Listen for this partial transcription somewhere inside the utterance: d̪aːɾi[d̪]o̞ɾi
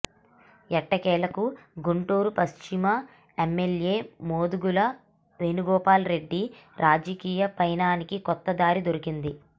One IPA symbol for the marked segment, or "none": d̪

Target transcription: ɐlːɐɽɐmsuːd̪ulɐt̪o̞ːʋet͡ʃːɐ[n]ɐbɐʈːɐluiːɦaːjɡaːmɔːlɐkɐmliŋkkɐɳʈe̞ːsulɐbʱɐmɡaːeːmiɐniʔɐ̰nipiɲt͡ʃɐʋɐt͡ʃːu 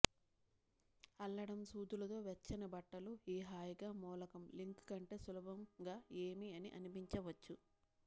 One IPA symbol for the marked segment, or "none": n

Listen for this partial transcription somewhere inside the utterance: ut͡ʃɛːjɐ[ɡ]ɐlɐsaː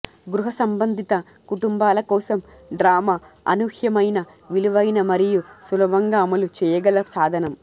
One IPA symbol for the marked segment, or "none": ɡ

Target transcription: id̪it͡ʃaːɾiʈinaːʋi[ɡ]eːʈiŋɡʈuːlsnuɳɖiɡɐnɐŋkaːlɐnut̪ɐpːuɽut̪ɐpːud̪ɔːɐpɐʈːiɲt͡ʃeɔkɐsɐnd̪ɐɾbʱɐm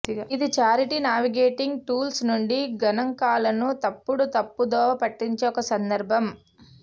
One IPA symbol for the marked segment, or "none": ɡ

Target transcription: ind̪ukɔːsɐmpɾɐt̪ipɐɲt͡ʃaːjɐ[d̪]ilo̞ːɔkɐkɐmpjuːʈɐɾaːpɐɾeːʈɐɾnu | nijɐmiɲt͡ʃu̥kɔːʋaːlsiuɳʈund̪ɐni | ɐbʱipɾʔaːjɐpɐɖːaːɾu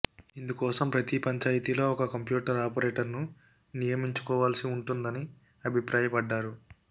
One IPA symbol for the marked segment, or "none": t̪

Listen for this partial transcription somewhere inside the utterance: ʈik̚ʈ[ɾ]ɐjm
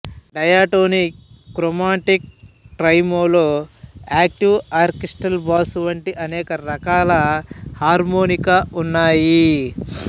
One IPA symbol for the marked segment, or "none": ɾ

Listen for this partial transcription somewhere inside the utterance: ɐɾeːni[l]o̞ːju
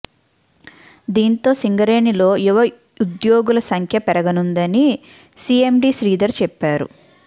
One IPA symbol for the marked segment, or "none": l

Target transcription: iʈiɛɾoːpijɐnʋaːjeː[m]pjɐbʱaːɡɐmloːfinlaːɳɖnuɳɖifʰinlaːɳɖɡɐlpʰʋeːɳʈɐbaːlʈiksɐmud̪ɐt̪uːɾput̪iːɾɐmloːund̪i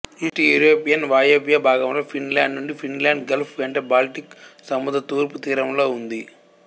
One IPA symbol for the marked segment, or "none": none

